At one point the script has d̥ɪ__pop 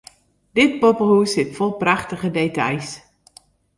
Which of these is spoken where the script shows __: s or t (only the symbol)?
t